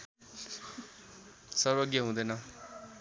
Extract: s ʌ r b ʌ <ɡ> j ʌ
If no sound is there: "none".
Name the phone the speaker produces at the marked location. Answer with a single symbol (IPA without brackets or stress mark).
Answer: ɡ